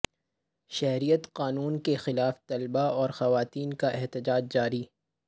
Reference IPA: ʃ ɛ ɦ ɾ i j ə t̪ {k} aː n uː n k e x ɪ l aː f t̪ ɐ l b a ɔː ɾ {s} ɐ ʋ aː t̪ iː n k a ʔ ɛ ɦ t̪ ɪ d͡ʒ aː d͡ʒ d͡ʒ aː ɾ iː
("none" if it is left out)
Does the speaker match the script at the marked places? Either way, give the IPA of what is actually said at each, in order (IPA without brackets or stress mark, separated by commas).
q, x